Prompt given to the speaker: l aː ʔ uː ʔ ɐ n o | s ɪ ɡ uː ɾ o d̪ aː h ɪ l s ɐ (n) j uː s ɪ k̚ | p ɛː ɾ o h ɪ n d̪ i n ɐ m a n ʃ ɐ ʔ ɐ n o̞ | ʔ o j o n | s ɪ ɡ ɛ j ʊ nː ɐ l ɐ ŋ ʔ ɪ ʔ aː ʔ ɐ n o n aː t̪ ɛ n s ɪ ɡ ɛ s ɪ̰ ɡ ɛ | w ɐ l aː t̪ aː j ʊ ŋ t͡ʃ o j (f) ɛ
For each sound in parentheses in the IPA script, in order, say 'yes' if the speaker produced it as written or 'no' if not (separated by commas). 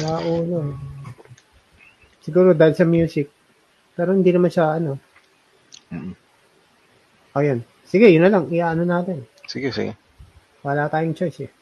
no, no